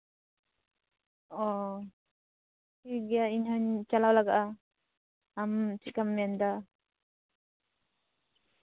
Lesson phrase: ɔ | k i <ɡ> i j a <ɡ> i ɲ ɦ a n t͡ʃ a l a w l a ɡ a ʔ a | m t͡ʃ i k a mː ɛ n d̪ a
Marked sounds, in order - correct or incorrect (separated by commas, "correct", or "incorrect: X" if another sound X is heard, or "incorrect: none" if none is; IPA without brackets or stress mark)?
correct, incorrect: none